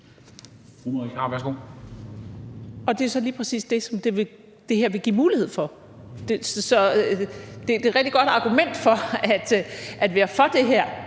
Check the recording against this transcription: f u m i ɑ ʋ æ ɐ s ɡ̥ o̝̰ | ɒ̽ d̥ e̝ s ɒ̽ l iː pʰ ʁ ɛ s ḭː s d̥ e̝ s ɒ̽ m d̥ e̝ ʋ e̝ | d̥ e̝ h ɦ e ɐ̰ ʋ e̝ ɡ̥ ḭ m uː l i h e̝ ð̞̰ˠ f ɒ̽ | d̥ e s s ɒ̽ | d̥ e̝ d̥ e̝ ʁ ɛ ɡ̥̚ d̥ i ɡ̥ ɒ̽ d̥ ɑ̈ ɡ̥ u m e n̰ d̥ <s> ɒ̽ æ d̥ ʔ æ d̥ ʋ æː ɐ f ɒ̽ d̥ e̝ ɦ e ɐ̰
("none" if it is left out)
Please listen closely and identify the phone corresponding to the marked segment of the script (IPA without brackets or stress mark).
f